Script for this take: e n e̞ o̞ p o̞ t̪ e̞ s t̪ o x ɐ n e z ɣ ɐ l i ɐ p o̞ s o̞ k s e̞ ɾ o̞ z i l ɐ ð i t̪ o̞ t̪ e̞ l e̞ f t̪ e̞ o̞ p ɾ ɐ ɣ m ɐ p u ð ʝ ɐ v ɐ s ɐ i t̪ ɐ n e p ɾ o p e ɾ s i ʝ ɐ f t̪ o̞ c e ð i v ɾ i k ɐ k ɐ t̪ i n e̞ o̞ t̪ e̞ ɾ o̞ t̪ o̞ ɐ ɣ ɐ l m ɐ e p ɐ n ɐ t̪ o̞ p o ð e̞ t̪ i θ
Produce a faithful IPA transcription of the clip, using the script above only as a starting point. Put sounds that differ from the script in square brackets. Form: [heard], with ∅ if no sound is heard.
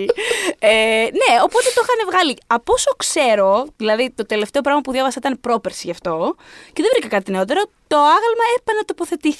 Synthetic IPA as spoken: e n e̞ o̞ p o̞ t̪ e̞ [∅] t̪ o x ɐ n e [v] ɣ ɐ l i ɐ p o̞ s o̞ k s e̞ ɾ o̞ [ð] i l ɐ ð i t̪ o̞ t̪ e̞ l e̞ f t̪ e̞ o̞ p ɾ ɐ ɣ m ɐ p u ð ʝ ɐ v ɐ s ɐ i t̪ ɐ n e p ɾ o p e ɾ s i ʝ ɐ f t̪ o̞ c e ð [e] v ɾ i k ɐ k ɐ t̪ i n e̞ o̞ t̪ e̞ ɾ o̞ t̪ o̞ ɐ ɣ ɐ l m ɐ e p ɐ n ɐ t̪ o̞ p o [θ] e̞ t̪ i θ